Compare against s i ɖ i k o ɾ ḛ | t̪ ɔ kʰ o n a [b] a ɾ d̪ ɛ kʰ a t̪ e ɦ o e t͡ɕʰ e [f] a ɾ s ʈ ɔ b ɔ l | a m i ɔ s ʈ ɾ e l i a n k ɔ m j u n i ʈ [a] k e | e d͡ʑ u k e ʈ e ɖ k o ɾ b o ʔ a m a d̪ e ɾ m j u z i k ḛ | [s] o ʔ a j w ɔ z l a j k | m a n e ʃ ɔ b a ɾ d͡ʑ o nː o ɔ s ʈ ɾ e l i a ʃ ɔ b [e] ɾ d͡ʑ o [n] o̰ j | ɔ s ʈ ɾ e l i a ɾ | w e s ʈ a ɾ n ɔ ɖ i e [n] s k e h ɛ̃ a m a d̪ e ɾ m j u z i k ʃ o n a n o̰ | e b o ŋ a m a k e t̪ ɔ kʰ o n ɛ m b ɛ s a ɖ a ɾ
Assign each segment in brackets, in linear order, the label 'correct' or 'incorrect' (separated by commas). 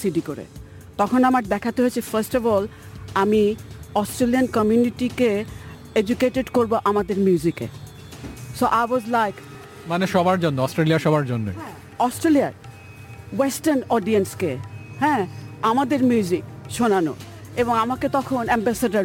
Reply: incorrect, correct, incorrect, correct, incorrect, incorrect, correct